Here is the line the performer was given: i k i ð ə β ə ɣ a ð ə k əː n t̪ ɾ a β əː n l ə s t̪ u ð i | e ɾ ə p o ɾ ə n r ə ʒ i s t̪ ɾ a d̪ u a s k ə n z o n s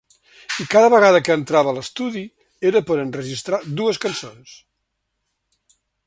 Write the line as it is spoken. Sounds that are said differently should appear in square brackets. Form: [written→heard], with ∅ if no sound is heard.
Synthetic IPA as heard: i k [i→a] ð ə β ə ɣ a ð ə k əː n t̪ ɾ a β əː [n→∅] l ə s t̪ u ð i | e ɾ ə p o ɾ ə n r ə ʒ i s t̪ ɾ a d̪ u [a→ə] s k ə n [z→s] o n s